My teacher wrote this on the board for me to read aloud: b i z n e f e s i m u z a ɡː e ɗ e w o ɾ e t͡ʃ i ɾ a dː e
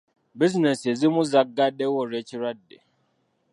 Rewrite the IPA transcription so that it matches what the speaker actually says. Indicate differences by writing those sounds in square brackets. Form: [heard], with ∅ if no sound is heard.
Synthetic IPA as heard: b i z n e [s] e [z] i m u z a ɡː [a] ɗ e w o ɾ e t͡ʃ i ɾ a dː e

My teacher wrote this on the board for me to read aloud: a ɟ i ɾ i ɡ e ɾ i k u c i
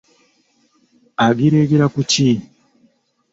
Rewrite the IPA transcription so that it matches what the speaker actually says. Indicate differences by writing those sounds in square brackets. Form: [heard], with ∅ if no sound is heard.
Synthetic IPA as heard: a [ɡ] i ɾ [e] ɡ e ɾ [a] k u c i

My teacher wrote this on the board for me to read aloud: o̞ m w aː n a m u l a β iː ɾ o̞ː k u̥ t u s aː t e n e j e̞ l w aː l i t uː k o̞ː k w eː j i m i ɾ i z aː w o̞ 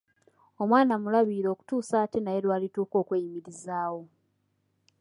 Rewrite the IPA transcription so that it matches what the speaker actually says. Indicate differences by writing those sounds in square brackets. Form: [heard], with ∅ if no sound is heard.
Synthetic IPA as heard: o̞ m w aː n a m u l a β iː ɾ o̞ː k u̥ t [uː] s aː t e n [a] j e̞ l w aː l i t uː k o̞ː k w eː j i m i ɾ i z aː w o̞

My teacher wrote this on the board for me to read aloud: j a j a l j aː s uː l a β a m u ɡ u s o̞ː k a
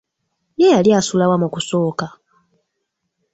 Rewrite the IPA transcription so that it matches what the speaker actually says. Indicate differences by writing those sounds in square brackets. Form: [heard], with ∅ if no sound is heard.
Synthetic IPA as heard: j [e] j a l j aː s [u] l a [w] a m u [k] u s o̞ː k a

